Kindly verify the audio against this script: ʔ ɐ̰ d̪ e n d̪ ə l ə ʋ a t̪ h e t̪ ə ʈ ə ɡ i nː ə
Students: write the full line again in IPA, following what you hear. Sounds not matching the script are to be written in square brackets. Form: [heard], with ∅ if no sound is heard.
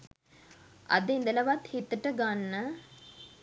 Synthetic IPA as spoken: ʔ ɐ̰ d̪ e n d̪ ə l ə ʋ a t̪ h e t̪ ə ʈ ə ɡ [a] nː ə

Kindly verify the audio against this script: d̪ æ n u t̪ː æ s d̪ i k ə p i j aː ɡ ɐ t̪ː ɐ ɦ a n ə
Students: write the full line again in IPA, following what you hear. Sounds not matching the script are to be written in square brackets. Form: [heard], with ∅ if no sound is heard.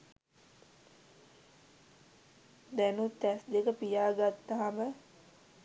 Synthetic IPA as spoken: d̪ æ n u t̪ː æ s d̪ [e] k ə p i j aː ɡ [a] t̪ː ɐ ɦ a [m] ə

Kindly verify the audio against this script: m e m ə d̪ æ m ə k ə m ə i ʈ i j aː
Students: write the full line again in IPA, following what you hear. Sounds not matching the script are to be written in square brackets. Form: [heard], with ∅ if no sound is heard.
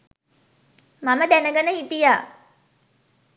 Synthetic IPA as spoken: m [a] m ə d̪ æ [n] ə [ɡ] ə [n] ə i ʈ i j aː

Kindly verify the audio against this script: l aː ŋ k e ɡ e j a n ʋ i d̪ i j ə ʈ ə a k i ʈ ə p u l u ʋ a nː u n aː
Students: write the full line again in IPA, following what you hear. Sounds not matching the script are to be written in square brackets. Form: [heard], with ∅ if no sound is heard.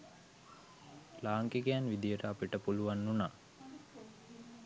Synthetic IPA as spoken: l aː ŋ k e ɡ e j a n ʋ i d̪ i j ə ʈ ə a [p] i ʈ ə p u l u ʋ a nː u n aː

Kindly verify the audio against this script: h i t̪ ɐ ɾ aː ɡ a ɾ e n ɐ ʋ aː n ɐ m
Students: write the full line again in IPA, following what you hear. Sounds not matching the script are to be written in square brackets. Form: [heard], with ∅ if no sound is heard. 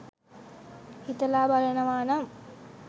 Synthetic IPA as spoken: h i t̪ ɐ [l] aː [b] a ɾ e n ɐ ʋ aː n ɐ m

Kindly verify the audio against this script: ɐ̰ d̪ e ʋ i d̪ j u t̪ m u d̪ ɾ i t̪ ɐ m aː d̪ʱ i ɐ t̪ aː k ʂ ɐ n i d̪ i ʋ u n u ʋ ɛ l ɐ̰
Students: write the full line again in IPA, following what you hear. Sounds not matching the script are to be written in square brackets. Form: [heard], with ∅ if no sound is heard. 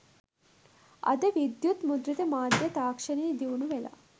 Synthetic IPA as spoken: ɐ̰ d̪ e ʋ i d̪ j u t̪ m u d̪ ɾ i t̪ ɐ m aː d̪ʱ [j] ɐ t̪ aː k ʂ ɐ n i d̪ i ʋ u n u ʋ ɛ l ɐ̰

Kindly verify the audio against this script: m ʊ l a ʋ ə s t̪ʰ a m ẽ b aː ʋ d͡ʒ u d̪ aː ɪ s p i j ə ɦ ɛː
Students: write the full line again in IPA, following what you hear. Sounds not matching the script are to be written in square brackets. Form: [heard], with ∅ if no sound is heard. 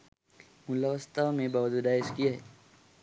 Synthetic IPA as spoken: m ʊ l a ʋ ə s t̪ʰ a m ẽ b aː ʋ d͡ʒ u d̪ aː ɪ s [k] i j [a] ɦ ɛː

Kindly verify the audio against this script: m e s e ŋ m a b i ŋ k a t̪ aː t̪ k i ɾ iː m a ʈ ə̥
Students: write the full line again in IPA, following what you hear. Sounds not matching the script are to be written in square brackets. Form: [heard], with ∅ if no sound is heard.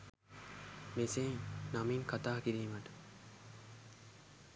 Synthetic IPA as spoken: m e s e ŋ [n] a [m] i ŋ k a t̪ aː [∅] k i ɾ iː m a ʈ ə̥

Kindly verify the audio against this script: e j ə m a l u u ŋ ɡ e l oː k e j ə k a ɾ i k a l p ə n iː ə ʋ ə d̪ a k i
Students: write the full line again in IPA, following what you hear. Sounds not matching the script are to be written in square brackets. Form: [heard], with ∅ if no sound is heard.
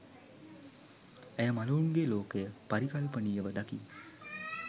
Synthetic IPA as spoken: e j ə m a l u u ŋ ɡ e l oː k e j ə [p] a ɾ i k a l p ə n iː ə ʋ ə d̪ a k i

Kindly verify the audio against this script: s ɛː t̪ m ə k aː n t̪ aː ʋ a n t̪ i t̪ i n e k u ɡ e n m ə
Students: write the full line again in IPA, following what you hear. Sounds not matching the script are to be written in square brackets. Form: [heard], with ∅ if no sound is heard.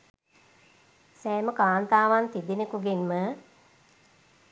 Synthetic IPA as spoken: s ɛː [∅] m ə k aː n t̪ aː ʋ a n t̪ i [d̪] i n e k u ɡ e n m ə

